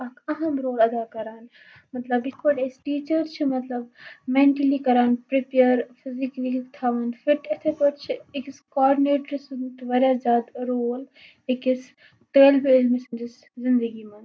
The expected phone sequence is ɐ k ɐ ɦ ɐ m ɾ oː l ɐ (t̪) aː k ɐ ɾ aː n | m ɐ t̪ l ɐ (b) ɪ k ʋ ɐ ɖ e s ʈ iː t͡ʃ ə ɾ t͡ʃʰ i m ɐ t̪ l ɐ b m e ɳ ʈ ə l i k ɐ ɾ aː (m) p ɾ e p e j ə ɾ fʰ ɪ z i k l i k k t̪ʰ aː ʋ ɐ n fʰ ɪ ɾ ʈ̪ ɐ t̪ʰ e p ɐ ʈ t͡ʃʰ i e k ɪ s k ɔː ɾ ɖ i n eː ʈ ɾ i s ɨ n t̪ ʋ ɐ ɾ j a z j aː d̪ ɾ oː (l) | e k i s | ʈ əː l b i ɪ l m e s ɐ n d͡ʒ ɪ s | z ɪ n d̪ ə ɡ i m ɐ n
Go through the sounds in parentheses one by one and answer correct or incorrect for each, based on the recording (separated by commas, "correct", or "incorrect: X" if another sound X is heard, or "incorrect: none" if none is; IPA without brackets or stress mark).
incorrect: d̪, correct, incorrect: n, correct